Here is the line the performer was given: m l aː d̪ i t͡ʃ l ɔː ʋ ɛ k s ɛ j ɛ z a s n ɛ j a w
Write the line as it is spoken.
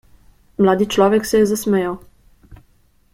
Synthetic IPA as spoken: m l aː d̪ i t͡ʃ l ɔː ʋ ɛ k s ɛ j ɛ z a s m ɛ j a w